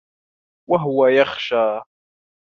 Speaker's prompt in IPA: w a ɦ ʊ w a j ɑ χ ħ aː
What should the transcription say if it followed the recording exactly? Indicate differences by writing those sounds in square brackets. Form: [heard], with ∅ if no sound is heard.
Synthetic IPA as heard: w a ɦ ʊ w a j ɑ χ [ʃ] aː